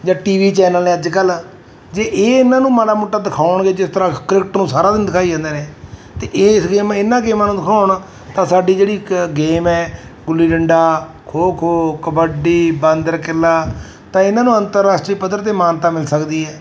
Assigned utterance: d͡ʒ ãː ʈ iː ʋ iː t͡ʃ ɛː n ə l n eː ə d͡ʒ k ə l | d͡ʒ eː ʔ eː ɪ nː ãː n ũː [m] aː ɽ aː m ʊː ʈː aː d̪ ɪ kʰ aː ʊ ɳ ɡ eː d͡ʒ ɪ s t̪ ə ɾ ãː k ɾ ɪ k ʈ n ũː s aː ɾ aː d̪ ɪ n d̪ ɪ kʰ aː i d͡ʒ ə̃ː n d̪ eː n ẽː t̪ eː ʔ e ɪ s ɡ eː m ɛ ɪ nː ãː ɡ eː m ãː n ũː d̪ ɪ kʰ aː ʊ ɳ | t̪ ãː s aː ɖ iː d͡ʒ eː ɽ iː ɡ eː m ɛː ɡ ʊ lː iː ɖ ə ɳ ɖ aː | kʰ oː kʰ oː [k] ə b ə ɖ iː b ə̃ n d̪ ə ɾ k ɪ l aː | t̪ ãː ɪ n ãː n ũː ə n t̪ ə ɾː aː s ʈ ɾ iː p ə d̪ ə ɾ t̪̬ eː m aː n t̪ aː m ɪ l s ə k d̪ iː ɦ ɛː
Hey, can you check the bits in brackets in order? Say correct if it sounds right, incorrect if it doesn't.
correct, correct

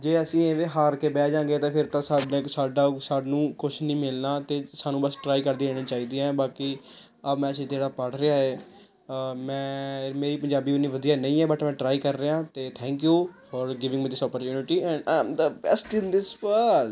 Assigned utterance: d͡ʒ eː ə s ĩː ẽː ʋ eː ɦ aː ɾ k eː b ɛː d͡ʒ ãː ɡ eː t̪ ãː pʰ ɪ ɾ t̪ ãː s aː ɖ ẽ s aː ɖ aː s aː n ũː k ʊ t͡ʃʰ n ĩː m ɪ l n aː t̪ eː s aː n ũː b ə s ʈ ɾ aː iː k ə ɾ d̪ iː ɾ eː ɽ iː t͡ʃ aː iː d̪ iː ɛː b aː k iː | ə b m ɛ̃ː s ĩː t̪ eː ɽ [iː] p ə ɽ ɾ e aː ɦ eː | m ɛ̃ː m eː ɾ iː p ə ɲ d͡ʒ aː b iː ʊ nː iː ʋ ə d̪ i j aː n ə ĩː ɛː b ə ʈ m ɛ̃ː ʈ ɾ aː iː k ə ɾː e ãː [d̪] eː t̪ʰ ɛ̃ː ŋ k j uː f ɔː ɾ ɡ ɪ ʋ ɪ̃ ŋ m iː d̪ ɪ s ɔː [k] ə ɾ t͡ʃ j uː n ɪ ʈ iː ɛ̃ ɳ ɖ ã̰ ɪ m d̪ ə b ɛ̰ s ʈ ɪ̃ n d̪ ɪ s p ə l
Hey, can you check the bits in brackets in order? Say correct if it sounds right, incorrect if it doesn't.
incorrect: aː, incorrect: t̪, incorrect: p

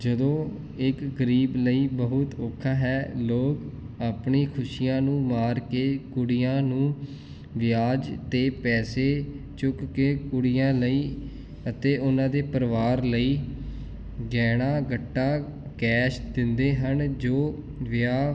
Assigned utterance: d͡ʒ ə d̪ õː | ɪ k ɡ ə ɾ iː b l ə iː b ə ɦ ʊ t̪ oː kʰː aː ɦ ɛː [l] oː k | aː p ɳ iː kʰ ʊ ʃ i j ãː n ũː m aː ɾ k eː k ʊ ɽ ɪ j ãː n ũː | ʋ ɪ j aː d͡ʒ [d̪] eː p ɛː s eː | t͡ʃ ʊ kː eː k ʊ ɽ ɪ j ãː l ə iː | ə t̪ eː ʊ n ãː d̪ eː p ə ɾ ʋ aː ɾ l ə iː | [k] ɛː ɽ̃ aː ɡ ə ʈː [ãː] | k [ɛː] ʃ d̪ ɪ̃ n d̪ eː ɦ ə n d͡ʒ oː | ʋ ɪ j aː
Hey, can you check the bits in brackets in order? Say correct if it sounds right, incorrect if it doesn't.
correct, incorrect: t̪, incorrect: ɡ, incorrect: aː, correct

